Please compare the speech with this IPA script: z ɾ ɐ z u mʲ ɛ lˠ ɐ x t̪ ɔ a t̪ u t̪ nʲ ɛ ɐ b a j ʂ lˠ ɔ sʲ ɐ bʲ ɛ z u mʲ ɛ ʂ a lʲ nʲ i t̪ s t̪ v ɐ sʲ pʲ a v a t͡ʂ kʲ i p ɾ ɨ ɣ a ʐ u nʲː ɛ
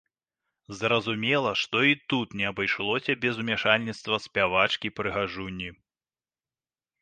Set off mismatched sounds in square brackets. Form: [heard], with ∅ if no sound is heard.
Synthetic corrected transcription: z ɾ ɐ z u mʲ ɛ lˠ ɐ [ʂ] t̪ ɔ [i] t̪ u t̪ nʲ ɛ ɐ b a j ʂ lˠ ɔ sʲ ɐ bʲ ɛ z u mʲ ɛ ʂ a lʲ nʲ i t̪ s t̪ v ɐ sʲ pʲ a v a t͡ʂ kʲ i p ɾ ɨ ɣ a ʐ u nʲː [i]